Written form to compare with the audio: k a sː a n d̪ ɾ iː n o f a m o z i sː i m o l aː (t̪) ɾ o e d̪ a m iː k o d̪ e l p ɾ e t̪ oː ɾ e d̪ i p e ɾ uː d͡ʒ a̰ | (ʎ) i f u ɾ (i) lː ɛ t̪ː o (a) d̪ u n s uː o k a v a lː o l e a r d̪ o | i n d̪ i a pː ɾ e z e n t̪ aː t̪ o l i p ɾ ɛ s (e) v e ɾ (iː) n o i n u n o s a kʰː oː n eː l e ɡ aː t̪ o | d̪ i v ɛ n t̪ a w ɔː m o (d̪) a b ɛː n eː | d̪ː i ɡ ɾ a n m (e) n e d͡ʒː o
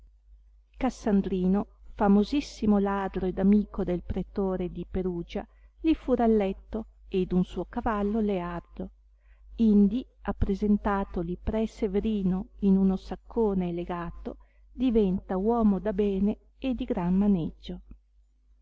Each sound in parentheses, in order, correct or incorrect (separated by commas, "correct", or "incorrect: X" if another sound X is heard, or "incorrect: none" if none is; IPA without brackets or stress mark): incorrect: d̪, incorrect: l, incorrect: a, incorrect: e, correct, correct, correct, incorrect: a